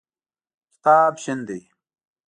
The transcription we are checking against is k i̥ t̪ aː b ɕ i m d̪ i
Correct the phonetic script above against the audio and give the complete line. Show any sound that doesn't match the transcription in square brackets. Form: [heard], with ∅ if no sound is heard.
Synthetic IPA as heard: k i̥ t̪ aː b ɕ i [n] d̪ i